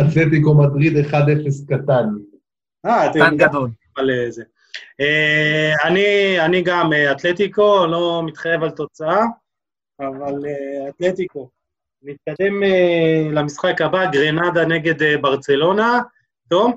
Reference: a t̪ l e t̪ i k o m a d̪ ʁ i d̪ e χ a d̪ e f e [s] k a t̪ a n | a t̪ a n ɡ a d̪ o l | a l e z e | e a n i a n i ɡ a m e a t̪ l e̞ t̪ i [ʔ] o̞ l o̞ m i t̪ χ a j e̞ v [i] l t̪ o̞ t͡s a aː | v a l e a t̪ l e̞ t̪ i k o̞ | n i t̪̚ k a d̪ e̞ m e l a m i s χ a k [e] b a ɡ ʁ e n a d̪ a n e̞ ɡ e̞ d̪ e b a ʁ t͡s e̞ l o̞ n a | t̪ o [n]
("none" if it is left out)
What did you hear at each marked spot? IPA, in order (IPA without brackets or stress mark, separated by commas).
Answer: s, k, a, a, m